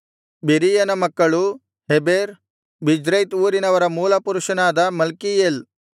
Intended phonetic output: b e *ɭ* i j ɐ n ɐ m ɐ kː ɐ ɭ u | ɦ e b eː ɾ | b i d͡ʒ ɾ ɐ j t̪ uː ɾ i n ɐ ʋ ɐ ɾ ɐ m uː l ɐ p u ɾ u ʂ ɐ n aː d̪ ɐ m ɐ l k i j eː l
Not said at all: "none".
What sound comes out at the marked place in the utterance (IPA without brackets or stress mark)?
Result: ɾ